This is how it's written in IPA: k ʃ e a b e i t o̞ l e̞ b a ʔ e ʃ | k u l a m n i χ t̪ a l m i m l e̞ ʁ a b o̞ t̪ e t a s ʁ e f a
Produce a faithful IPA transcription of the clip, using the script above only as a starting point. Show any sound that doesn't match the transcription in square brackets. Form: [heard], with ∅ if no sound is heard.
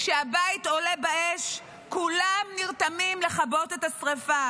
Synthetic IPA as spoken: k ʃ e a b [a] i t o̞ l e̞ b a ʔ e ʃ | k u l a m n i [ʁ] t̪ a [∅] m i m l e̞ [χ] a b o̞ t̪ e t a s ʁ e f a